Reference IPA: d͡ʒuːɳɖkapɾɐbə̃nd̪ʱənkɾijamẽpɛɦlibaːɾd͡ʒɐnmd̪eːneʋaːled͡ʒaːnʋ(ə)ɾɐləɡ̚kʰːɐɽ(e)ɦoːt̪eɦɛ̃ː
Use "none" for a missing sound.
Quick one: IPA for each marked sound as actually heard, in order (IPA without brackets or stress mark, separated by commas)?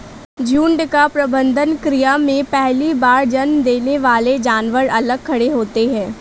ə, e